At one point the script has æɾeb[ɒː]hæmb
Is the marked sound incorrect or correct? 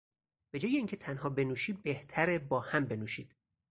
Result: correct